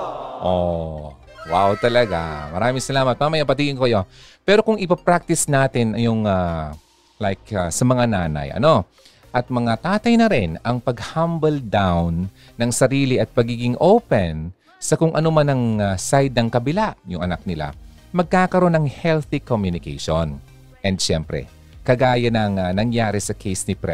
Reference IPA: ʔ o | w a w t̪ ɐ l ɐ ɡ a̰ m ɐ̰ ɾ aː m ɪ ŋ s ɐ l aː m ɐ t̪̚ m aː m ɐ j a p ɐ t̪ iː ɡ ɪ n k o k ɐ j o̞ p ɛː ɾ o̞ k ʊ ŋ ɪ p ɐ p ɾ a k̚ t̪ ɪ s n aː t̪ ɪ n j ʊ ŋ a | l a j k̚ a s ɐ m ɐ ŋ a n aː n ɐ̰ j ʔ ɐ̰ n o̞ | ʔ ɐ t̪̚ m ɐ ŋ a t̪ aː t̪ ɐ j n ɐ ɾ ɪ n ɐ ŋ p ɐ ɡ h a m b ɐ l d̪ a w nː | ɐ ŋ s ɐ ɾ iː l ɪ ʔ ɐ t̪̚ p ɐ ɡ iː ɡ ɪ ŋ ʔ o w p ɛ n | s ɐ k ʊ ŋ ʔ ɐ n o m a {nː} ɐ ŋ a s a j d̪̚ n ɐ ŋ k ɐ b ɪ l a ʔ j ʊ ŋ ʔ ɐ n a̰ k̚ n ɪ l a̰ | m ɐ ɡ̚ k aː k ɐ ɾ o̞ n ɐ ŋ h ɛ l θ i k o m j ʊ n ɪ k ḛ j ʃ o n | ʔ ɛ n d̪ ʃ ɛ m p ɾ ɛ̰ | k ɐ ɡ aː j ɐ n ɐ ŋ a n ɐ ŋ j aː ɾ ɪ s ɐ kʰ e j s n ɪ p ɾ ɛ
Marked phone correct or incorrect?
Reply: incorrect